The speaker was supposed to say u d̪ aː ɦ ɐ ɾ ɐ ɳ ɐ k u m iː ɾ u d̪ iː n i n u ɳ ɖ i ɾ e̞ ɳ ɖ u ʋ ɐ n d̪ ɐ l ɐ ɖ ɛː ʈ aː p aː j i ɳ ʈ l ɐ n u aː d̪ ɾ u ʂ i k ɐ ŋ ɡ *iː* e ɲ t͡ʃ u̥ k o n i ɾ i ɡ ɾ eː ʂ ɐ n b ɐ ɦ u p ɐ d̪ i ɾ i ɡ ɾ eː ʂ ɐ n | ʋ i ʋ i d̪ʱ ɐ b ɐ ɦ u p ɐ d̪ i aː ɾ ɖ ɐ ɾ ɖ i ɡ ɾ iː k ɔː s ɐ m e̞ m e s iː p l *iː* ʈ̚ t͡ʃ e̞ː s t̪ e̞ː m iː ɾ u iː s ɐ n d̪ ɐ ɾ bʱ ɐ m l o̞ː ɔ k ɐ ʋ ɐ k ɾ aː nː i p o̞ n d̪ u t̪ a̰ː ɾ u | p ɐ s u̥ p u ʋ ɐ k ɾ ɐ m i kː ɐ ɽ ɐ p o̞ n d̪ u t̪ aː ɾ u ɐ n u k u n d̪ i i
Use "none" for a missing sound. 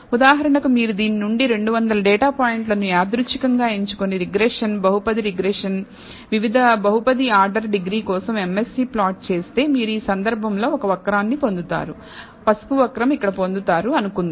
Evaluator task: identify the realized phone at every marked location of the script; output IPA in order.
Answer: aː, aː

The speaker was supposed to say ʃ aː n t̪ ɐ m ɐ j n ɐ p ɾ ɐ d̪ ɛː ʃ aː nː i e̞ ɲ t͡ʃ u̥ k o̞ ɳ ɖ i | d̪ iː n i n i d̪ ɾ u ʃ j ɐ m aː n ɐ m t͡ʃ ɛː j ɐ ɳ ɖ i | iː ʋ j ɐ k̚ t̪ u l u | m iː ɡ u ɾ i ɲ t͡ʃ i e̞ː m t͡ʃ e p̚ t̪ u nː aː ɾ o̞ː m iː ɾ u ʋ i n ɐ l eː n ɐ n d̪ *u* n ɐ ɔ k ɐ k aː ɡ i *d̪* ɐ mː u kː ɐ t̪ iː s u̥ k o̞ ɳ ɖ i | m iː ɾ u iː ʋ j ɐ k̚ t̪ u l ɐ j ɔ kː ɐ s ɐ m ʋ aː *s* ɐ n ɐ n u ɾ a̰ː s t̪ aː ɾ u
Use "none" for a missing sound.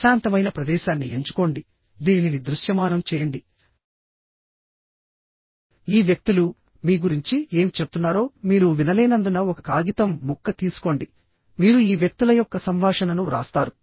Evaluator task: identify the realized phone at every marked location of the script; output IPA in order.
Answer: u, t̪, ʂ

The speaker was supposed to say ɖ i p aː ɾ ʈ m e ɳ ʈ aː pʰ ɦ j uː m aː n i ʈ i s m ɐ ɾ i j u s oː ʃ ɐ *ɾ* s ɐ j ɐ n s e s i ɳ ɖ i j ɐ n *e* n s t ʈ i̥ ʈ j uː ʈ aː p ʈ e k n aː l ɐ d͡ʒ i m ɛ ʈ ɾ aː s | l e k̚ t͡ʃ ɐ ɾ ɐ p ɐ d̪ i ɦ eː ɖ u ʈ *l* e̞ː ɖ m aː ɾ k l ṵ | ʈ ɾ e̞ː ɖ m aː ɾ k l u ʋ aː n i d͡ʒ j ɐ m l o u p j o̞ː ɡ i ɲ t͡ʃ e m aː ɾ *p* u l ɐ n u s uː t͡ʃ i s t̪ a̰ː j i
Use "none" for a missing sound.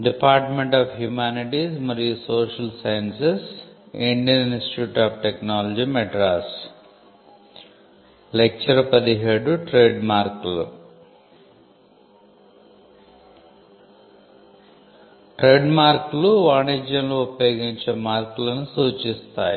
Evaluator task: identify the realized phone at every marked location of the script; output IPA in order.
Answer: l, i, ɾ, k

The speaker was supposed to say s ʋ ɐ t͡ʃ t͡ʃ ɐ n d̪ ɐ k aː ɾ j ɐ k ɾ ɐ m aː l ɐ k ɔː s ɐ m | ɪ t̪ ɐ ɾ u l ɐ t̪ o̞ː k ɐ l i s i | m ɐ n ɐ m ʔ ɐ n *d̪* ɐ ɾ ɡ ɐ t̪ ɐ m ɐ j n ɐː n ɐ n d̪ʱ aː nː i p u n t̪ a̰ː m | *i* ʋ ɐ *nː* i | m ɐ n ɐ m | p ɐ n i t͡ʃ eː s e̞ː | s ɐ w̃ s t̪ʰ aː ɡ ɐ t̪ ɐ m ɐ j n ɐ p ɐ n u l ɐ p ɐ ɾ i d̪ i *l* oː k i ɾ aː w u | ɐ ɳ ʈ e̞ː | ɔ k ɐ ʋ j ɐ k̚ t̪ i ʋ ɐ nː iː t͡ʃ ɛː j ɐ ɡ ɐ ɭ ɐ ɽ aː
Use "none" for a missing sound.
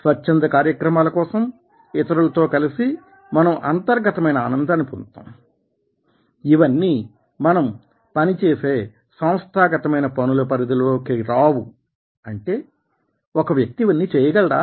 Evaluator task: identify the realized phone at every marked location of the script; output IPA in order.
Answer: t̪, i, nː, l

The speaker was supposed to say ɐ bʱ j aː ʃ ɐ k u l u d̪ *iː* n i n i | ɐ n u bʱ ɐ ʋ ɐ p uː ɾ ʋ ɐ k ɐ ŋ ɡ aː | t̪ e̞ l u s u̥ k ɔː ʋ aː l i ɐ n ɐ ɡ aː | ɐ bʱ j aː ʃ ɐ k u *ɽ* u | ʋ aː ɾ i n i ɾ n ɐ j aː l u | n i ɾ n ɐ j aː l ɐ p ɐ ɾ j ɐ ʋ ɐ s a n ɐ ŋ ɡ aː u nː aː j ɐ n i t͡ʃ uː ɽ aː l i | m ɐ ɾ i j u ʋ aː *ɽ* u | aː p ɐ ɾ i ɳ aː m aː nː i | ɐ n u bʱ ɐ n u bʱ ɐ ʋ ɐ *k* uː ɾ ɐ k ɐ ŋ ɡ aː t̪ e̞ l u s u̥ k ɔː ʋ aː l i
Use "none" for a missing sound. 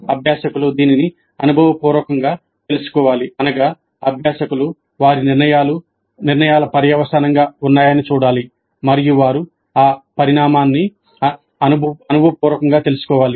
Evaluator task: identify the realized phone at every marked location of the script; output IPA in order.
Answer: iː, l, ɾ, p

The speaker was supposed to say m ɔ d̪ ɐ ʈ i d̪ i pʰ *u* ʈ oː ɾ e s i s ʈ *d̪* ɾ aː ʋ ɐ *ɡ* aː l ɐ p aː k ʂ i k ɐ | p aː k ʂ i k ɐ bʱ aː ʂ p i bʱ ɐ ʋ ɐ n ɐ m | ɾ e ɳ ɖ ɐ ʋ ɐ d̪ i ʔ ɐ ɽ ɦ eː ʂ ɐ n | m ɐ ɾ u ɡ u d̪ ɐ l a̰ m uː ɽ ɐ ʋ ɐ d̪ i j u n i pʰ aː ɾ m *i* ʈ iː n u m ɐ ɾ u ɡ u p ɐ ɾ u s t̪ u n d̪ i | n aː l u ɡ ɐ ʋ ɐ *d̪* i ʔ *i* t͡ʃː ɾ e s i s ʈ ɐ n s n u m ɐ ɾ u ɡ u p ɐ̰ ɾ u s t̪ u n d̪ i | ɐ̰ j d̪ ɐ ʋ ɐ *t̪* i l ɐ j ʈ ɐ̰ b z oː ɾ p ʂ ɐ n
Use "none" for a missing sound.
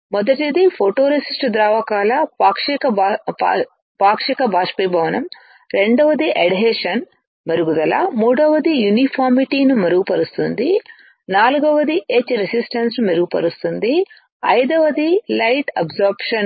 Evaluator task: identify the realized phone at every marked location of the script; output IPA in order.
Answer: o, d̪, k, i, d̪, e, d̪

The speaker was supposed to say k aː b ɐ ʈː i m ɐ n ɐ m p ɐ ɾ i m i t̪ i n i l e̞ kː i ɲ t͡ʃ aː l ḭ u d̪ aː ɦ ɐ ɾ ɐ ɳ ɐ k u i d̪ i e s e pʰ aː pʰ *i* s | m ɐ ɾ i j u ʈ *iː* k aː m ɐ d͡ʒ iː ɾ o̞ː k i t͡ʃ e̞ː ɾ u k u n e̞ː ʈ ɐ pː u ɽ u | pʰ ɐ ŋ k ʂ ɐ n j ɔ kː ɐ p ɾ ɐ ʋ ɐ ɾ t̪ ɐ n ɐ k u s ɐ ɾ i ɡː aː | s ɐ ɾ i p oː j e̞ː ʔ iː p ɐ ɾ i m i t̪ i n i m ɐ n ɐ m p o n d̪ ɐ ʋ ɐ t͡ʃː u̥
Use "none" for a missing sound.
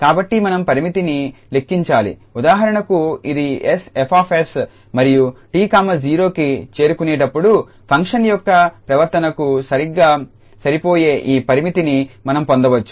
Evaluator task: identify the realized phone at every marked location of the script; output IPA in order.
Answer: e, iː

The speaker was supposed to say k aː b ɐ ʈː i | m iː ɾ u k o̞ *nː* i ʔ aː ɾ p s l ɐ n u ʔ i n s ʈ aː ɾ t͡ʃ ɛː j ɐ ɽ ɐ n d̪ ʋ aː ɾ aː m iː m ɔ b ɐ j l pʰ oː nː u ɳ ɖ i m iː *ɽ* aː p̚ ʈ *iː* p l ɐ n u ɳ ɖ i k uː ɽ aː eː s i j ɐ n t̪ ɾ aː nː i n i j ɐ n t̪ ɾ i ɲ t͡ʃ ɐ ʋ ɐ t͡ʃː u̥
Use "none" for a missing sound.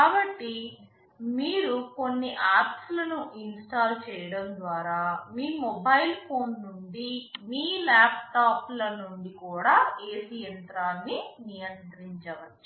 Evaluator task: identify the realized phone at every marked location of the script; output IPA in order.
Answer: nː, l, aː

